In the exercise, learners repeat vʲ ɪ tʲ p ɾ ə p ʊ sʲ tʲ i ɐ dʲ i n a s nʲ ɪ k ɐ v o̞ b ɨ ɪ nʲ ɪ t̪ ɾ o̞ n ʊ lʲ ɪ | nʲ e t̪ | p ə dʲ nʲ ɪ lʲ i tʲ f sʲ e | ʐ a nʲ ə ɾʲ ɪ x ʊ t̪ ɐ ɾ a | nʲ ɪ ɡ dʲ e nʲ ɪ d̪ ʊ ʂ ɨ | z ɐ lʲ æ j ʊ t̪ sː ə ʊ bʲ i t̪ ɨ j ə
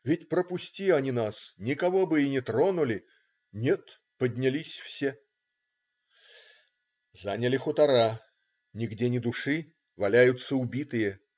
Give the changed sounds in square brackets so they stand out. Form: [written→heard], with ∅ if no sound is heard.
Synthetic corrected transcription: vʲ ɪ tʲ p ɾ ə p ʊ sʲ tʲ i ɐ [dʲ→nʲ] i n a s nʲ ɪ k ɐ v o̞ b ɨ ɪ nʲ ɪ t̪ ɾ o̞ n ʊ lʲ ɪ | nʲ e t̪ | p ə dʲ nʲ ɪ lʲ i [tʲ→sʲ] f sʲ e | [ʐ→z] a nʲ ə [ɾʲ→lʲ] ɪ x ʊ t̪ ɐ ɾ a | nʲ ɪ ɡ dʲ e nʲ ɪ d̪ ʊ ʂ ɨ | [z→v] ɐ lʲ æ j ʊ t̪ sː ə ʊ bʲ i t̪ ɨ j ə